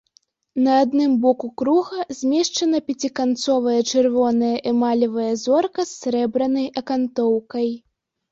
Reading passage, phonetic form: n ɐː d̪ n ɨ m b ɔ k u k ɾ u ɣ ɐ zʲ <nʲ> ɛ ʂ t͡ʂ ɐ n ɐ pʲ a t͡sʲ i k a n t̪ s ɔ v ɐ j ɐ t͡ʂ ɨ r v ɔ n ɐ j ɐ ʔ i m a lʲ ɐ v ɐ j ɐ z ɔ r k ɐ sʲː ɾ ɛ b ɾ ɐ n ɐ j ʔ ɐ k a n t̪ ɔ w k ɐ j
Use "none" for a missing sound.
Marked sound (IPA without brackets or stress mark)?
mʲ